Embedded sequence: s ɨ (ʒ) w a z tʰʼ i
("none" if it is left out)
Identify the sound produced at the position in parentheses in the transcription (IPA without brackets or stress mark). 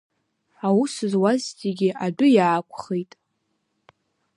z